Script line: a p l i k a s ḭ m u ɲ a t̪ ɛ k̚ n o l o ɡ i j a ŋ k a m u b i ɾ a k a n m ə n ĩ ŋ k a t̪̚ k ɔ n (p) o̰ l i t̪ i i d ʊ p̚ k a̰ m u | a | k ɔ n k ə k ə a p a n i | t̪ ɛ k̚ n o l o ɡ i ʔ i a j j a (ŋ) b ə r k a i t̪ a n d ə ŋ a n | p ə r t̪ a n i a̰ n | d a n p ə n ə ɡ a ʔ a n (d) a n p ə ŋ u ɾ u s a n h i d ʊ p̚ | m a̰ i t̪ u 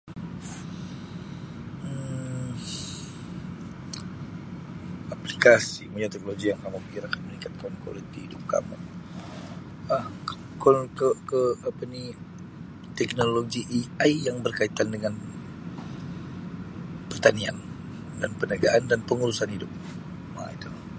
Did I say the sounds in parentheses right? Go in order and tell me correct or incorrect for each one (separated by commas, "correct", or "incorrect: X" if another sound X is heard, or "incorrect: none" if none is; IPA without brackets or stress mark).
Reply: incorrect: k, correct, correct